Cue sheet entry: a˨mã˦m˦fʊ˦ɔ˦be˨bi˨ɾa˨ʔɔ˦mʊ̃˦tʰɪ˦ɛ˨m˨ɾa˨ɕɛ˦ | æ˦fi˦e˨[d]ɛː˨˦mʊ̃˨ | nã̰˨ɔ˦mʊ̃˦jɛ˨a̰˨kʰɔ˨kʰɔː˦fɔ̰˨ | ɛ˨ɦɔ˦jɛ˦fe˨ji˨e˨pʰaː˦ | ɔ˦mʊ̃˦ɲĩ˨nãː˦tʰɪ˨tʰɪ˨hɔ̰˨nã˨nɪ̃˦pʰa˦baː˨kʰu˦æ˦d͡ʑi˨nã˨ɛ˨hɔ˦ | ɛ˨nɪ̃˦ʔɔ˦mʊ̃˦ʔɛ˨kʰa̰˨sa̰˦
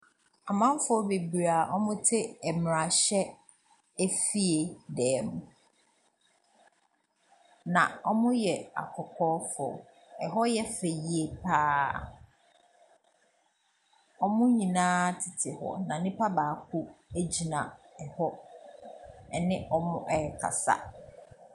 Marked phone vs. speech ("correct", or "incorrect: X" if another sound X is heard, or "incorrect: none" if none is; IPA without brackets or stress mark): correct